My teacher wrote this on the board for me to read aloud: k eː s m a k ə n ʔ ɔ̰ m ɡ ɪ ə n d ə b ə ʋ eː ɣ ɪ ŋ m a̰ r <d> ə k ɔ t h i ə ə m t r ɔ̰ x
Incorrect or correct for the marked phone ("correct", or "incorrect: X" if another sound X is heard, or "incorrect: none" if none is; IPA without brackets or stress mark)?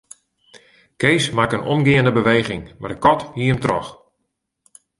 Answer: correct